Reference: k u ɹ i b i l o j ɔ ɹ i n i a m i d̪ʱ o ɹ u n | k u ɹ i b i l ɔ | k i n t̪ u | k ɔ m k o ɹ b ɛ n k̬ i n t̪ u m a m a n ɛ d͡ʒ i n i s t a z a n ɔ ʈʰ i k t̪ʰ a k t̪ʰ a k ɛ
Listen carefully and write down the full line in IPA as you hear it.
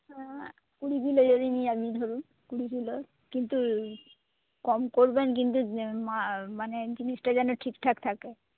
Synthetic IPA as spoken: k u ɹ i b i l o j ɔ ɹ i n i a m i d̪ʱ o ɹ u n | k u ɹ i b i l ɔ | k i n t̪ u | k ɔ m k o ɹ b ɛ n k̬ i n t̪ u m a m a n ɛ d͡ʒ i n i s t a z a n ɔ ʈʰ i k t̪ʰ a k t̪ʰ a k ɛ